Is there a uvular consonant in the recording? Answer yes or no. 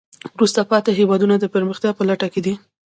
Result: no